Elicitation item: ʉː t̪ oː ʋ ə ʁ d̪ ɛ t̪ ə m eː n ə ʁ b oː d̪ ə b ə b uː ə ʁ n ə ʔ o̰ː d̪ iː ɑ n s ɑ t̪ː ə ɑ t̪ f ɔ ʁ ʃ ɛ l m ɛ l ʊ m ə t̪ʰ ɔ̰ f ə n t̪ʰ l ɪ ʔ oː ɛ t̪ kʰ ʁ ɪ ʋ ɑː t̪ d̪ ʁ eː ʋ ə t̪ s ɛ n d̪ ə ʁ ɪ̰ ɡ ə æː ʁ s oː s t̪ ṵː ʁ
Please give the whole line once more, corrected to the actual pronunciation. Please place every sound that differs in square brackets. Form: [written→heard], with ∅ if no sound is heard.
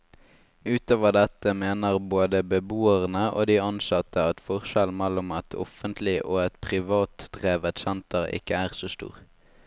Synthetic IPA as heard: ʉː t̪ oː ʋ ə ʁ d̪ ɛ t̪ ə m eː n ə ʁ b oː d̪ ə b ə b uː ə ʁ n ə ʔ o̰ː d̪ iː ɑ n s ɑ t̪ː ə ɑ t̪ f ɔ ʁ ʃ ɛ l m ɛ l ʊ m [ə→ɑ] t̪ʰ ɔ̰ f ə n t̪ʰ l ɪ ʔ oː ɛ t̪ [kʰ→pʰ] ʁ ɪ ʋ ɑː t̪ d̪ ʁ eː ʋ ə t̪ s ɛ n [d̪→t̪] ə ʁ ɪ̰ [ɡ→k] ə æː ʁ s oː s t̪ ṵː ʁ